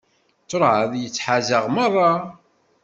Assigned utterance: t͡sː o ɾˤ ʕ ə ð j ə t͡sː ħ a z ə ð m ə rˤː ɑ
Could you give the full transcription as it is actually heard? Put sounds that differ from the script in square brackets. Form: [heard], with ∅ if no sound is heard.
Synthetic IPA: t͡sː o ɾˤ ʕ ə ð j ə t͡sː ħ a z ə [ʁ] m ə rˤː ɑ